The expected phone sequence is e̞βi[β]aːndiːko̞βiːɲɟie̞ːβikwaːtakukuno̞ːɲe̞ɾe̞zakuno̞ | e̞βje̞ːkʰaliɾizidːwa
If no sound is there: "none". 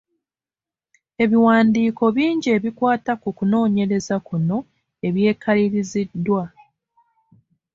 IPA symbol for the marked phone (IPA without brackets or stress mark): w